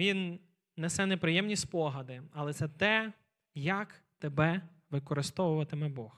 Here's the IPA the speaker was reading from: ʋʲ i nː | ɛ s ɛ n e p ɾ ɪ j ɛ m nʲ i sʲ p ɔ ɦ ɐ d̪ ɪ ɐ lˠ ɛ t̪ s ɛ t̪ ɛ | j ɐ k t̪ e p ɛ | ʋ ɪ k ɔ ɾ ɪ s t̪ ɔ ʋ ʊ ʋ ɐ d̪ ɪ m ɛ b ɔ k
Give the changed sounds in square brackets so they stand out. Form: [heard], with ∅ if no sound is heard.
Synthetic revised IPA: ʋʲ i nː | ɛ s ɛ n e p ɾ ɪ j ɛ m nʲ i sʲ p ɔ ɦ ɐ d̪ ɪ ɐ lˠ ɛ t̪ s ɛ t̪ ɛ | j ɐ k t̪ e [b] ɛ | ʋ ɪ k ɔ ɾ ɪ s t̪ ɔ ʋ ʊ ʋ ɐ [t̪] ɪ m ɛ b ɔ [x]